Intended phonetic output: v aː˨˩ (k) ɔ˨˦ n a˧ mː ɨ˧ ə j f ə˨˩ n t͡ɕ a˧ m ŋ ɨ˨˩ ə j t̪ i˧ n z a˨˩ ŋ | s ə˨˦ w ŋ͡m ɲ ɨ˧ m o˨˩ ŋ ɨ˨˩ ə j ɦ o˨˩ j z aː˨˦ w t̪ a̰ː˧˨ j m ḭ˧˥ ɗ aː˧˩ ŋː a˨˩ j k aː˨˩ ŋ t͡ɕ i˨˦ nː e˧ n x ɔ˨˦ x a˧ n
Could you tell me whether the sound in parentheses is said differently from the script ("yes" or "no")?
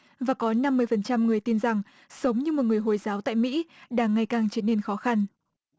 no